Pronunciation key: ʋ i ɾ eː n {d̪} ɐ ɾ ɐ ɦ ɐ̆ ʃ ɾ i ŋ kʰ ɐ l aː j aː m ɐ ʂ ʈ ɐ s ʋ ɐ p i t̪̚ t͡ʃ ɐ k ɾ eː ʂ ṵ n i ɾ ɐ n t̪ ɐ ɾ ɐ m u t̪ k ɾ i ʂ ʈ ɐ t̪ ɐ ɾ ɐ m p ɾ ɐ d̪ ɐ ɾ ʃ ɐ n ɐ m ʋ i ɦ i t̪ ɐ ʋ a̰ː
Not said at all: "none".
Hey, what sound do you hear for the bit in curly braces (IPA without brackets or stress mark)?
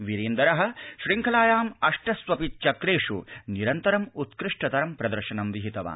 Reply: d̪